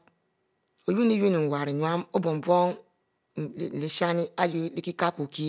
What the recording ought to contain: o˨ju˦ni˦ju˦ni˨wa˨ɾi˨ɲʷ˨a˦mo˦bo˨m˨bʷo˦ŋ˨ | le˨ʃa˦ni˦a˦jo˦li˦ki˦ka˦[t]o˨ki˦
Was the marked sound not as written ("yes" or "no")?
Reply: yes